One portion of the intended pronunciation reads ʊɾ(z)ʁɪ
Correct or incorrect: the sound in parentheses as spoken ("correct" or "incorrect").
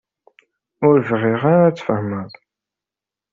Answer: incorrect